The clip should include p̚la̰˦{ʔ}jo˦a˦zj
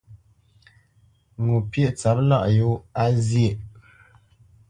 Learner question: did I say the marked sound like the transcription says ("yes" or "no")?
yes